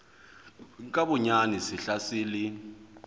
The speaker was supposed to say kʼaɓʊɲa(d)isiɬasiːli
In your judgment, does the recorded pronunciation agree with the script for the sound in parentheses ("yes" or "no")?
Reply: no